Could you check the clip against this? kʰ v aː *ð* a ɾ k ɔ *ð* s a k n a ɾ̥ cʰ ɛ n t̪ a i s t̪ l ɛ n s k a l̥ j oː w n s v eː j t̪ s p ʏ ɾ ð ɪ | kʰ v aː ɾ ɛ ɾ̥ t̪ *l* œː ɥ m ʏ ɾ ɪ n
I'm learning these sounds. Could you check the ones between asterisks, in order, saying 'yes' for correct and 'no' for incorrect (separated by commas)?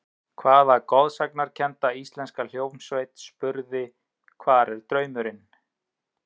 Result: yes, yes, no